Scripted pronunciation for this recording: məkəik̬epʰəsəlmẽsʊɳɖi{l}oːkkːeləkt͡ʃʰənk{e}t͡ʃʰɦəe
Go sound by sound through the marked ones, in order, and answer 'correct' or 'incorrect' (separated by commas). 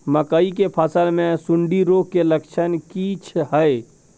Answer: incorrect, incorrect